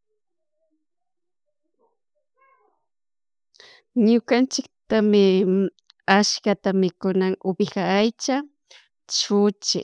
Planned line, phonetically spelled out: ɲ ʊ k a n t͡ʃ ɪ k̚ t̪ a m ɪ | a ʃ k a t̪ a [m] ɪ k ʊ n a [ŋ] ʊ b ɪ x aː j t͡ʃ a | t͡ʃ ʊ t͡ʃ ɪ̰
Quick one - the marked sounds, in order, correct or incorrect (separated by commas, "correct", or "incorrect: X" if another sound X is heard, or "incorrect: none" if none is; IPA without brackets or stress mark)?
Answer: correct, correct